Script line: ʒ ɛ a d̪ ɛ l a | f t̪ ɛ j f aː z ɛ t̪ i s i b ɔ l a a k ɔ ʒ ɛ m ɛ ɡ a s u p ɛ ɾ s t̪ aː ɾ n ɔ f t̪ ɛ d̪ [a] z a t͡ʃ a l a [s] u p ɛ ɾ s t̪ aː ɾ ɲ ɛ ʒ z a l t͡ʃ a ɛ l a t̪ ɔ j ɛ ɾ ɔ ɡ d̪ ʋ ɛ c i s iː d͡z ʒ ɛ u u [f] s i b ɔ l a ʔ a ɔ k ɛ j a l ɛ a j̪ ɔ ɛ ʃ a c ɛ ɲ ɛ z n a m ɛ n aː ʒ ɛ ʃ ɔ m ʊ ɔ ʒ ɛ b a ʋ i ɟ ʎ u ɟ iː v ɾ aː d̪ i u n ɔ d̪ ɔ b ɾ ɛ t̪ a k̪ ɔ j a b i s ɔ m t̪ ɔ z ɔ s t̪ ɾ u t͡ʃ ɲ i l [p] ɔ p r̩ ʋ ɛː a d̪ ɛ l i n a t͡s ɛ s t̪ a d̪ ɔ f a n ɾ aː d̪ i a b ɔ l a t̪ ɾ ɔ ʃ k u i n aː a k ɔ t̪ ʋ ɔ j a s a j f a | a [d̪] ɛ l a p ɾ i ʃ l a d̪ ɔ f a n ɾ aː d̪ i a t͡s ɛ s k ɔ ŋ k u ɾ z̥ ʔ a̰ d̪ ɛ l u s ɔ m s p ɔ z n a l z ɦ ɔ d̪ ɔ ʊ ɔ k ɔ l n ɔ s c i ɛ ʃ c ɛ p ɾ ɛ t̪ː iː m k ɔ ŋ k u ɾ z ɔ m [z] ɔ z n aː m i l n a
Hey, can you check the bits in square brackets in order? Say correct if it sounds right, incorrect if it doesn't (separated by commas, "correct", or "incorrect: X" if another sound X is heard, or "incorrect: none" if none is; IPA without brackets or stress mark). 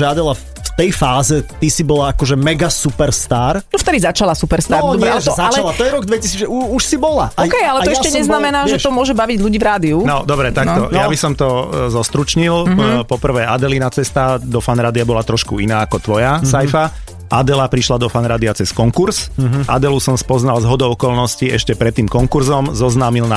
incorrect: i, correct, incorrect: ʃ, correct, correct, correct